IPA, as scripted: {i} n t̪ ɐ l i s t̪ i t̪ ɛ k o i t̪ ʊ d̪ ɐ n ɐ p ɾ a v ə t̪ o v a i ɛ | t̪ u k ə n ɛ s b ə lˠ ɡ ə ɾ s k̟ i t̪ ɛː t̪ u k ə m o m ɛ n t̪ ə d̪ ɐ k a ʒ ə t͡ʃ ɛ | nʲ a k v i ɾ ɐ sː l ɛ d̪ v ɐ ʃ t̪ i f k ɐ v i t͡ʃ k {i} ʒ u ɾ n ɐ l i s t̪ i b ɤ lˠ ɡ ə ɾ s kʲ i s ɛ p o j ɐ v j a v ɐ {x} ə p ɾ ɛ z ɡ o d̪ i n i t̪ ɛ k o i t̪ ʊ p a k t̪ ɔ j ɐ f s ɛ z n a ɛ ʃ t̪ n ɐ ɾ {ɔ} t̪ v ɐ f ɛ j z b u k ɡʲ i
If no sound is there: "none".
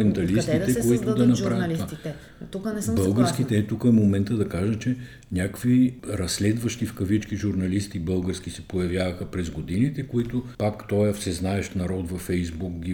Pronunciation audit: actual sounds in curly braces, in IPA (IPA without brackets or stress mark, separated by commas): ɛ, i, x, ɔ